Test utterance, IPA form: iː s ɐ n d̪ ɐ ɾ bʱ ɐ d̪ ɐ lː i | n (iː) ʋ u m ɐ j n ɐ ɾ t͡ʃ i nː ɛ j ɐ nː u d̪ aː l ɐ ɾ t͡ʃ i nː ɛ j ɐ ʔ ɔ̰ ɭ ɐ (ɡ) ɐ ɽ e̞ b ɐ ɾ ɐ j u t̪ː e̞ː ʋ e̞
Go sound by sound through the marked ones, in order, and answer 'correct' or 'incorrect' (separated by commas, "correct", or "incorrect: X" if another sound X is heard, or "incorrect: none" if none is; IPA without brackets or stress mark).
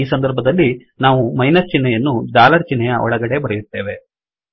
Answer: incorrect: aː, correct